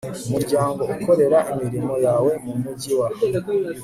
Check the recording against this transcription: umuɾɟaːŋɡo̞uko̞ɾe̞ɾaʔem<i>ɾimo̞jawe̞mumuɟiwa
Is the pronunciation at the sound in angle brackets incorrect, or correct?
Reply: correct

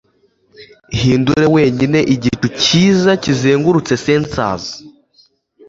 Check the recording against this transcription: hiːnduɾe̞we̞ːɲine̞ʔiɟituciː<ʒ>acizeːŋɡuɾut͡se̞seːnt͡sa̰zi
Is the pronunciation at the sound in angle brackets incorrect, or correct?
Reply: incorrect: z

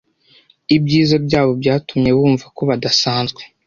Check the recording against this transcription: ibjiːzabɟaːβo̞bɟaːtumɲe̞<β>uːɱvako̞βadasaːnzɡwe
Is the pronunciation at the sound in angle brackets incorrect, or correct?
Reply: correct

